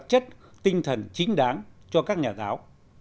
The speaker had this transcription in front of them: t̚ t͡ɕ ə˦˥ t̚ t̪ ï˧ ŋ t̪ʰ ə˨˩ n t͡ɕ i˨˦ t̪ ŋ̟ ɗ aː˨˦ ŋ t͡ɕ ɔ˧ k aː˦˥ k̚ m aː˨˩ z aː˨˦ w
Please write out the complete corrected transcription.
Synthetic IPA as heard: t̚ t͡ɕ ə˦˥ t̚ t̪ ï˧ ŋ t̪ʰ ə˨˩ n t͡ɕ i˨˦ ŋ̟ ɗ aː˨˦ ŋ t͡ɕ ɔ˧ k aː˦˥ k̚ ɲ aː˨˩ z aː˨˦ w